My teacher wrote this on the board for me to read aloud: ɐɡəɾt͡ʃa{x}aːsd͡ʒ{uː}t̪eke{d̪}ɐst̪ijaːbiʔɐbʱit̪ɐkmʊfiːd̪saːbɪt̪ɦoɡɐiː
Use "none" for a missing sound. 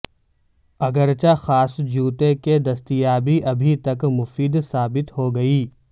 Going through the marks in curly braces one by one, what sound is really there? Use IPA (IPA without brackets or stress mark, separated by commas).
x, uː, d̪